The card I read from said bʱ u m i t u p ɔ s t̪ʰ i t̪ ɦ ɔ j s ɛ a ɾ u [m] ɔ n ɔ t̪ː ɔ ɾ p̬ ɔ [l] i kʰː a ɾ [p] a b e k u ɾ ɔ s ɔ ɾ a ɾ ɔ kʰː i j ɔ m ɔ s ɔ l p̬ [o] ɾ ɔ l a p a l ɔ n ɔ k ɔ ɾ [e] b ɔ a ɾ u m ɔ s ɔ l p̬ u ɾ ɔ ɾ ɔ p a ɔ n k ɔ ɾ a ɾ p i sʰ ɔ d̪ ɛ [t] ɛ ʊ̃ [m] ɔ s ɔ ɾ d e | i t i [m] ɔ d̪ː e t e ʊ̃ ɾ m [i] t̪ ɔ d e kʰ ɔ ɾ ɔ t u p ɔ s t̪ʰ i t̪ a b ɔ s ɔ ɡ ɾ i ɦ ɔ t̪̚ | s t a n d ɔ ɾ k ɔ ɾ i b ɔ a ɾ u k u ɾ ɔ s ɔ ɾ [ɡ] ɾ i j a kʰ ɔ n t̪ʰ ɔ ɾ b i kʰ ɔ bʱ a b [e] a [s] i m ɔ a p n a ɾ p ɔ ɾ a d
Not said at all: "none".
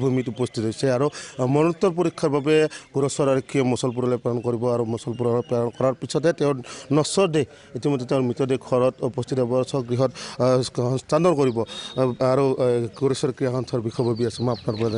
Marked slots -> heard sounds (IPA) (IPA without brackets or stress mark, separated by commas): m, ɾ, b, u, i, t, n, m, i, k, i, s